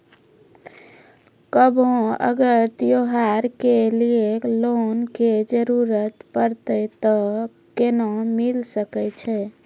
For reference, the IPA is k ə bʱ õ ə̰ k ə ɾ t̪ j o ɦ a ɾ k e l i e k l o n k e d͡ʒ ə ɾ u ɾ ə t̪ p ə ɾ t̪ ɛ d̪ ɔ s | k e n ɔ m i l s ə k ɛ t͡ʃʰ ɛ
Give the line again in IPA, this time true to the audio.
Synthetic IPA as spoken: k ə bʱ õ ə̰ ɡ ə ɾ t̪ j o ɦ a ɾ k e l i e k l o n k e d͡ʒ ə ɾ u ɾ ə t̪ p ə ɾ t̪ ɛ t̪ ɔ | k e n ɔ m i l s ə k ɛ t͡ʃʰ ɛ